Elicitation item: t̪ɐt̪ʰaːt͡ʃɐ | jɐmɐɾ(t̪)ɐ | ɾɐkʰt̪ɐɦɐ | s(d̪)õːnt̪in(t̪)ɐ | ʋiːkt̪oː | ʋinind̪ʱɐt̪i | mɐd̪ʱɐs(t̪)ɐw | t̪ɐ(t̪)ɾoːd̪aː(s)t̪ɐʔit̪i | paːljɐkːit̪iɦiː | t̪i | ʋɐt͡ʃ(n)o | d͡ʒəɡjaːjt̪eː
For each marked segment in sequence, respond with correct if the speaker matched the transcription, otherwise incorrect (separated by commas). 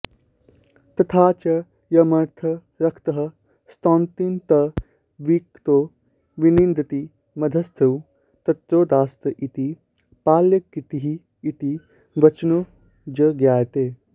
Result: incorrect, incorrect, correct, incorrect, correct, correct, correct